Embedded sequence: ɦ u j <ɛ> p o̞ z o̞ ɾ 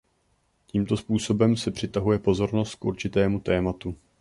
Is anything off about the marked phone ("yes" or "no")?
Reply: no